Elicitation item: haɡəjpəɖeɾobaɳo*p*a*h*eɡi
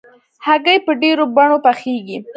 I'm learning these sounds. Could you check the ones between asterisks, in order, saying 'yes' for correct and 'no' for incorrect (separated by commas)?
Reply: yes, no